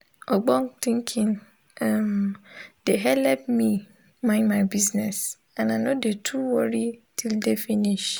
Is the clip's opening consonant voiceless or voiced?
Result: voiced